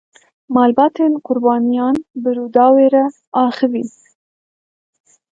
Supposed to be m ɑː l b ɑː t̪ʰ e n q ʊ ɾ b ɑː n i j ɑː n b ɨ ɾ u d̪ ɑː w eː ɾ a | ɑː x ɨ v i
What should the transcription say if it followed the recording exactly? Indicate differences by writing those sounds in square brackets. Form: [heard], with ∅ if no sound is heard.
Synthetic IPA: m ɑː l b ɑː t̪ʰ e n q ʊ ɾ b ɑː n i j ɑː n b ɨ ɾ u d̪ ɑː w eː ɾ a | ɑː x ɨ v i